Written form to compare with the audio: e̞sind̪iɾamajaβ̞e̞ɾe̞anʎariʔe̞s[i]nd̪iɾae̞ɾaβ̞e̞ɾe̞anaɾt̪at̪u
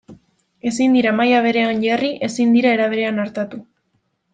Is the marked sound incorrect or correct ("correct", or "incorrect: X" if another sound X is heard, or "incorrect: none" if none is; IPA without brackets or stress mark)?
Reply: correct